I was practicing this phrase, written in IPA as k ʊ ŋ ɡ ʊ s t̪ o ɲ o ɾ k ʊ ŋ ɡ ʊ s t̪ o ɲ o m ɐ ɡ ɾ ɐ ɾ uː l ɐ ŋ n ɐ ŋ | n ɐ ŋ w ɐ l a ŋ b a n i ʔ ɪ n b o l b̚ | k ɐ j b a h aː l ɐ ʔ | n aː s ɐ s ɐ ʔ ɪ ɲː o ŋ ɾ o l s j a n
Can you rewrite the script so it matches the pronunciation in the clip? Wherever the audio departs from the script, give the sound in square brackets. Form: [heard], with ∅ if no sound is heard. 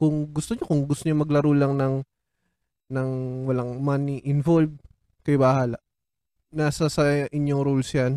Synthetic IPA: k ʊ ŋ ɡ ʊ s t̪ o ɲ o [∅] k ʊ ŋ ɡ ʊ s t̪ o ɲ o m ɐ ɡ [l] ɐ ɾ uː l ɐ ŋ n ɐ ŋ | n ɐ ŋ w ɐ l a ŋ [m] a n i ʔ ɪ n [v] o l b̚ | k ɐ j b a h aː l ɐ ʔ | n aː s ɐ s ɐ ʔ ɪ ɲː o ŋ ɾ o l s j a n